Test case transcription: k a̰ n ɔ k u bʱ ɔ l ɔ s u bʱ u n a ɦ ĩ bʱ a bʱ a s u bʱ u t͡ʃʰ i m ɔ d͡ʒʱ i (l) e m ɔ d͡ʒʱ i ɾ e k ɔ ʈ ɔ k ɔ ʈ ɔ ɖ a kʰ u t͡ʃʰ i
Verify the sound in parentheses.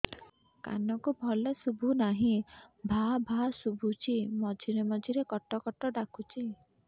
incorrect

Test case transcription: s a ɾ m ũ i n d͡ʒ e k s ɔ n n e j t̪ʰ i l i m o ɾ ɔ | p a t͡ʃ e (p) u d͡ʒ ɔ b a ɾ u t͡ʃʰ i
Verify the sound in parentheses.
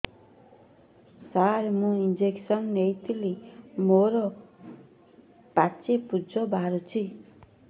correct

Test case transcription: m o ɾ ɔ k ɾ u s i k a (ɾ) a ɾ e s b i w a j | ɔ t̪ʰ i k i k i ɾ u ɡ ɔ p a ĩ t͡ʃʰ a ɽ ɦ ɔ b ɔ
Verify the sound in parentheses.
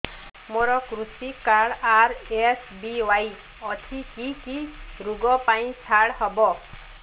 incorrect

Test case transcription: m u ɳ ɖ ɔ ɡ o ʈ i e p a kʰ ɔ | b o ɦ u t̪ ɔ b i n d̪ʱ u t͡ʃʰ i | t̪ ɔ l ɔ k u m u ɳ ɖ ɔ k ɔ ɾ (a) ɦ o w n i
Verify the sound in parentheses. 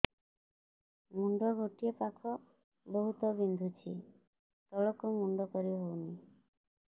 incorrect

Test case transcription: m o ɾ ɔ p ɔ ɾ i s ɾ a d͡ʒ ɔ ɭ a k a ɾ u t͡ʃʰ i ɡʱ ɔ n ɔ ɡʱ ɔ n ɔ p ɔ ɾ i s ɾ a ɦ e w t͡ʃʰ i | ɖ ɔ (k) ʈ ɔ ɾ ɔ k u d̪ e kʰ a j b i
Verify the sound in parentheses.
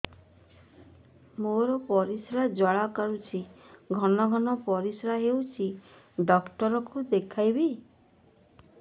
correct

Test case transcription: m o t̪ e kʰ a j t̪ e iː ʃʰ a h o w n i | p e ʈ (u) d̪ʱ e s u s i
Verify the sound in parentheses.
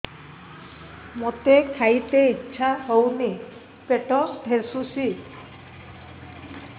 incorrect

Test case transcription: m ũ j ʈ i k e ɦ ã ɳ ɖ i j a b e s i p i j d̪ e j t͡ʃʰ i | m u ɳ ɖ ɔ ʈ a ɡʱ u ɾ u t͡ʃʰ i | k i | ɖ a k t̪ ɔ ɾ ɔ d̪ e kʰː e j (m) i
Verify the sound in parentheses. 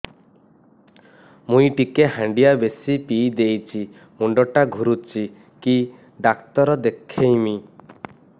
correct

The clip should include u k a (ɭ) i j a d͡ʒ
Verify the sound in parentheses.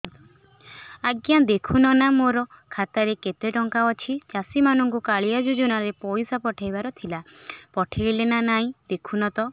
correct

